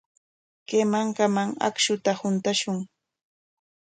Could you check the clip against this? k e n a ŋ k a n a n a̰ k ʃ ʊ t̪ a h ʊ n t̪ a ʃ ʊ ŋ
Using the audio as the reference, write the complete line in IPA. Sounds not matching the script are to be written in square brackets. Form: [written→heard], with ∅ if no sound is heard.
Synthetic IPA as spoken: k e [n→m] a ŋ k a [n→m] a [n→ŋ] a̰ k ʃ ʊ t̪ a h ʊ n t̪ a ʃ ʊ ŋ